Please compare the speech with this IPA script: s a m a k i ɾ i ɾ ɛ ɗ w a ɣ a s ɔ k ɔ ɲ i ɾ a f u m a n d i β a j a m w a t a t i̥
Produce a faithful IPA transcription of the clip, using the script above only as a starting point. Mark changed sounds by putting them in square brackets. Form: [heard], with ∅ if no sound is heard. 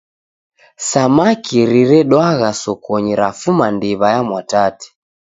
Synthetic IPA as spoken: s a m a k i ɾ i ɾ ɛ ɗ w a ɣ a s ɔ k ɔ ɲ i ɾ a f u m a n d i β a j a m w a t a t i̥

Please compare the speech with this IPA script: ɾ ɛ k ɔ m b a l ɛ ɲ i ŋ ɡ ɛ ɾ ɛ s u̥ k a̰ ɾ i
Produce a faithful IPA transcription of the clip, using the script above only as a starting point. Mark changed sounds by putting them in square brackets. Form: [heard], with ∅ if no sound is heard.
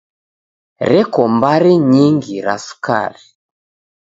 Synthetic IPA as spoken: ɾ ɛ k ɔ m b a [ɾ] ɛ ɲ i ŋ ɡ [i] ɾ [a] s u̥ k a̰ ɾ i

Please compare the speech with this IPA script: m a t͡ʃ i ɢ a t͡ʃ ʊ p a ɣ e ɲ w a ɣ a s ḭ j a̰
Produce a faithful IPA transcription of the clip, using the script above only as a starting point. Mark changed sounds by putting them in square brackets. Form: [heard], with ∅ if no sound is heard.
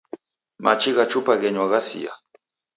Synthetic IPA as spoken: m a t͡ʃ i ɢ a t͡ʃ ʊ p a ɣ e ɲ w a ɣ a s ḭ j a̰

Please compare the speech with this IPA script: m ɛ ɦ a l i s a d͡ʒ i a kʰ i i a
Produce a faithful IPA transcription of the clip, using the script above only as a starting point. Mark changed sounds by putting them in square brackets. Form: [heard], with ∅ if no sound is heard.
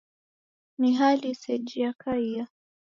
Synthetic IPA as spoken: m [i] ɦ a l i s [ɛ] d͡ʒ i a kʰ [a] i a

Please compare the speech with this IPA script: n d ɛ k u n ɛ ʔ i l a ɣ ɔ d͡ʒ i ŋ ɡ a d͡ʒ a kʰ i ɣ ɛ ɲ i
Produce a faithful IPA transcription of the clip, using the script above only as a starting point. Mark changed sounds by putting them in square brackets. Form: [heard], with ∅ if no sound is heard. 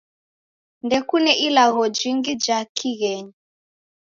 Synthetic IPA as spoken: n d ɛ k u n ɛ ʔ i l a ɣ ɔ d͡ʒ i ŋ ɡ [i] d͡ʒ a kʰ i ɣ ɛ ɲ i

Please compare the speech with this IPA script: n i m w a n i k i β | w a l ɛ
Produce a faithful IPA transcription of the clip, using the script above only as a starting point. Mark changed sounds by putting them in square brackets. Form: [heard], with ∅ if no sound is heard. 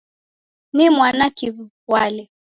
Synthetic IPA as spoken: n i m w a n [a] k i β | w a l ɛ

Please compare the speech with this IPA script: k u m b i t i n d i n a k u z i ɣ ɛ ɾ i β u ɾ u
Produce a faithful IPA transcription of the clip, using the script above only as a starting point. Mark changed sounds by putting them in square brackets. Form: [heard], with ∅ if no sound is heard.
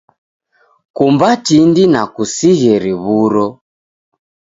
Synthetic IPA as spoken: k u m b [a] t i n d i n a k u [s] i ɣ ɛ ɾ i β u ɾ [ɔ]

